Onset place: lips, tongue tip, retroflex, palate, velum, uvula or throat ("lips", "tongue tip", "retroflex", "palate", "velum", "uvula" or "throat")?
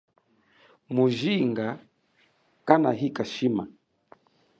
lips